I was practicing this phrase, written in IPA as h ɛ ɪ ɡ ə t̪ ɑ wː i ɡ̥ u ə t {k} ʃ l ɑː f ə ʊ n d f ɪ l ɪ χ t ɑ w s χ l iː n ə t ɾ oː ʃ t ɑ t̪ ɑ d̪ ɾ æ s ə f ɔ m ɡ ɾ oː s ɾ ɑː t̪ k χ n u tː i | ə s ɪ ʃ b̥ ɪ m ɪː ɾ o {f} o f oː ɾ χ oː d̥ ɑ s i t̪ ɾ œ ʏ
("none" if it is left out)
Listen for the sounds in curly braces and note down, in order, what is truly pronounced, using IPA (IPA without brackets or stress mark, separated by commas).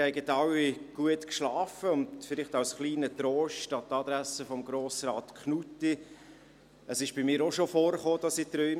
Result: k, ʃ